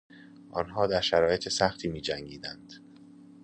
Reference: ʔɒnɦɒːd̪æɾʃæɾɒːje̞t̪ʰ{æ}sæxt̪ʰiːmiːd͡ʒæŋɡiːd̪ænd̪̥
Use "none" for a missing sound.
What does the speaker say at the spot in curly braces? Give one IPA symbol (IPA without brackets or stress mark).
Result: e